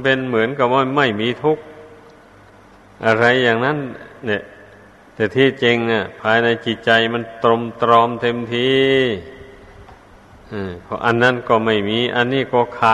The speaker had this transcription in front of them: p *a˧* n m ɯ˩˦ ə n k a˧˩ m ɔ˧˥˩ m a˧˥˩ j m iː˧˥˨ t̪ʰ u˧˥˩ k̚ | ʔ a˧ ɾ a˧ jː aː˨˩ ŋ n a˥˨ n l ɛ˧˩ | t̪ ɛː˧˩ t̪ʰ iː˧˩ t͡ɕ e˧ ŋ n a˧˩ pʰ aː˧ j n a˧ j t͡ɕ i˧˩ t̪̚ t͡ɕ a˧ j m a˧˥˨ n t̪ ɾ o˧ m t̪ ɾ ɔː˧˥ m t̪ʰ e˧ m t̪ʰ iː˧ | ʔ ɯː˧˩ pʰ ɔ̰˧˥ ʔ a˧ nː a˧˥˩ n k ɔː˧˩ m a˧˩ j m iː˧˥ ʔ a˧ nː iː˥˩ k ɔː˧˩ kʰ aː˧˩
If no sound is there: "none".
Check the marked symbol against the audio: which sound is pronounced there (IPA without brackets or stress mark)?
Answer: e˧